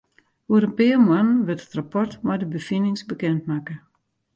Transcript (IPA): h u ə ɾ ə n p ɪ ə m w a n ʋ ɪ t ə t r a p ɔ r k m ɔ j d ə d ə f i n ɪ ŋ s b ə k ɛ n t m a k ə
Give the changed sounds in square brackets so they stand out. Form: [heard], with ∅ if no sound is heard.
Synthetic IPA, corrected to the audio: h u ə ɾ ə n p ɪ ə m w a n ʋ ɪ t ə t r a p ɔ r [t] m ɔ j d ə [b] ə f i n ɪ ŋ s b ə k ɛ n t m a k ə